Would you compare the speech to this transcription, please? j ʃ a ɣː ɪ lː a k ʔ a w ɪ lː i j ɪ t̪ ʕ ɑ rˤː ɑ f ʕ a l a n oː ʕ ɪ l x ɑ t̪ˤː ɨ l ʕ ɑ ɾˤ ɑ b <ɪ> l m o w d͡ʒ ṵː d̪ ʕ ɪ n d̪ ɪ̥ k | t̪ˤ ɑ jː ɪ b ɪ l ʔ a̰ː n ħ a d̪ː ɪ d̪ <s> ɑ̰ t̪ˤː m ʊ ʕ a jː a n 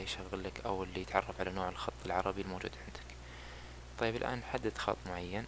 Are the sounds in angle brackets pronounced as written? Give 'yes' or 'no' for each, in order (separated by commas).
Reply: no, no